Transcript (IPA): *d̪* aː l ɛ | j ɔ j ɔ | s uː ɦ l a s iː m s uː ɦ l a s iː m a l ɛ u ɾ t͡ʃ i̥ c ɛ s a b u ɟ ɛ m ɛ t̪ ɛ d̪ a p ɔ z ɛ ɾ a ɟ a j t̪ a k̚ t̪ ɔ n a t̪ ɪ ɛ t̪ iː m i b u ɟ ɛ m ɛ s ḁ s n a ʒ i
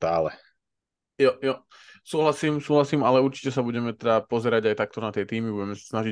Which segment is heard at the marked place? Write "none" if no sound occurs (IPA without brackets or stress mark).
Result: t̪